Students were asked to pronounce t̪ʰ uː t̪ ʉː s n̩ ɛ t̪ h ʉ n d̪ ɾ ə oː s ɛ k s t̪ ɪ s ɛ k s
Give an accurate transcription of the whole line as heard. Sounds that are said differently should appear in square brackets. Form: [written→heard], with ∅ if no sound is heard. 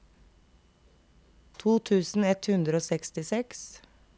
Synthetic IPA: t̪ʰ uː [t̪→t̪ʰ] ʉː s n̩ ɛ t̪ h ʉ n d̪ ɾ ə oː s ɛ k s t̪ ɪ s ɛ k s